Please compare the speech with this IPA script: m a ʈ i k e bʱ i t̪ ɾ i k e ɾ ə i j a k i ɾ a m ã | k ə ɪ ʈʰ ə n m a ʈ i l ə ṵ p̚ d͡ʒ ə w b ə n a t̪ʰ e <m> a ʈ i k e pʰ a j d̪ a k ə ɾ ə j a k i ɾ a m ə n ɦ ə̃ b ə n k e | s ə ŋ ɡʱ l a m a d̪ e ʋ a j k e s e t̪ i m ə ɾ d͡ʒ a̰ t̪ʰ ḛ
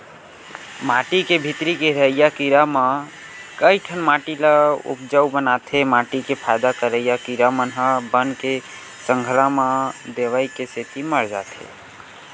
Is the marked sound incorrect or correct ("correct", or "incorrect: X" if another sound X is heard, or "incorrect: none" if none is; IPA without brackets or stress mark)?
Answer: correct